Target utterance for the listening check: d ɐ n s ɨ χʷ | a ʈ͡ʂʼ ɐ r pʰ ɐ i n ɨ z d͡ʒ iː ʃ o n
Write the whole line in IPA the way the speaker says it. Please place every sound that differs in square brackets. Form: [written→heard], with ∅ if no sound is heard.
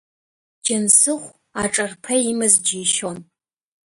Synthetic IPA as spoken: [d→d͡ʒ] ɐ n s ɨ χʷ | a ʈ͡ʂʼ ɐ r pʰ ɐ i [n→m] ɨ z d͡ʒ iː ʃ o n